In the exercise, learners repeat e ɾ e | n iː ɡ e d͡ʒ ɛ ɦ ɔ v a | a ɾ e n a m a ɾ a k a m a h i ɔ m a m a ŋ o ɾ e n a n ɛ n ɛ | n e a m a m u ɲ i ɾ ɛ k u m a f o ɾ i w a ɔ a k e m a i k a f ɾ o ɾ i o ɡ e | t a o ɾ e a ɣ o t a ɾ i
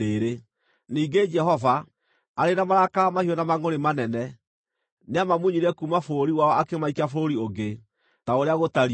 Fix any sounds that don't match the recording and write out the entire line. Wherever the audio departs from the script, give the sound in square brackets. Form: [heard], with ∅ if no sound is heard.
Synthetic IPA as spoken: e ɾ e | n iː ɡ e d͡ʒ ɛ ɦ ɔ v a | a ɾ e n a m a ɾ a k a m a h i ɔ [n] a m a ŋ o ɾ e [m] a n ɛ n ɛ | n e a m a m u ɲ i ɾ ɛ k u m a f o ɾ i w a ɔ a k e m a i k a f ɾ o ɾ i o ɡ e | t a o ɾ e a ɣ o t a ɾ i